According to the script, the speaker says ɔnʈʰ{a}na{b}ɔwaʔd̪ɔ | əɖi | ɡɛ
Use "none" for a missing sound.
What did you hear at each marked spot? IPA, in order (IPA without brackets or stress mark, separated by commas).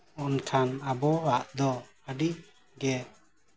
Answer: a, b